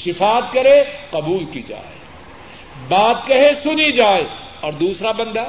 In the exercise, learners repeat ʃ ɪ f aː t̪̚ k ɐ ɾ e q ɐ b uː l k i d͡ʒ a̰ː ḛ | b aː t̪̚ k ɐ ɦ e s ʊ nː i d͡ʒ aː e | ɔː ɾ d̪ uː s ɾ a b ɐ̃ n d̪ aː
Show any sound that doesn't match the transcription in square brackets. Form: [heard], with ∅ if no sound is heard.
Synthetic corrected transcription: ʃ ɪ f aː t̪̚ k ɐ ɾ e q ɐ b uː l k i d͡ʒ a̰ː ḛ | b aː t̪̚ k ɐ ɦ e s ʊ [n] i d͡ʒ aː e | ɔː ɾ d̪ uː s ɾ a b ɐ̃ n d̪ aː